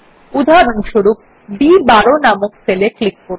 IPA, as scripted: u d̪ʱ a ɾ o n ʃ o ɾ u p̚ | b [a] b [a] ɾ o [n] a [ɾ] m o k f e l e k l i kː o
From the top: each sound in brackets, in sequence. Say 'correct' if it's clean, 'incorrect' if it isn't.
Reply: incorrect, correct, correct, incorrect

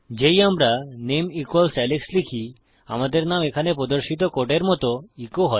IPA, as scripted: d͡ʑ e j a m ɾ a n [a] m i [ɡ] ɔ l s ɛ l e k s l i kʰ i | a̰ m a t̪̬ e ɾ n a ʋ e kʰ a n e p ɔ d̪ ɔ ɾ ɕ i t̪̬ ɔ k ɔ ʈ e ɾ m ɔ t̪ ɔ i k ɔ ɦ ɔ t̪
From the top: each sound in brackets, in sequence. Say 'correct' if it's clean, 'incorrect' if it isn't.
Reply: incorrect, incorrect

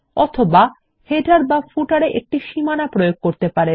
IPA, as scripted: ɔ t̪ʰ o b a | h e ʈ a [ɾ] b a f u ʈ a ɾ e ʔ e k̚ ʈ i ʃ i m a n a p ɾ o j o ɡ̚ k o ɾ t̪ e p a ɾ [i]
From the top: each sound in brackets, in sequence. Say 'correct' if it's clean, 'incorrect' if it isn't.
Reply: correct, incorrect

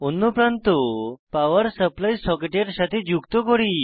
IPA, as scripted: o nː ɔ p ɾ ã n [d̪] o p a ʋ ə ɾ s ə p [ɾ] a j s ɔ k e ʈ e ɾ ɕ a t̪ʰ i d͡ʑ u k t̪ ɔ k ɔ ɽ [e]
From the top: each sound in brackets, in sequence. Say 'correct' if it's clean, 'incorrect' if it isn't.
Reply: incorrect, incorrect, incorrect

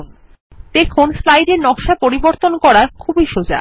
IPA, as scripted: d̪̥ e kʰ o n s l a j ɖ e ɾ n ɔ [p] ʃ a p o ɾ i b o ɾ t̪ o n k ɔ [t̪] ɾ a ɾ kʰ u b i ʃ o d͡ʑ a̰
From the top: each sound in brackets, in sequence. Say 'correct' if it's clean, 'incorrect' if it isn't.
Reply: incorrect, incorrect

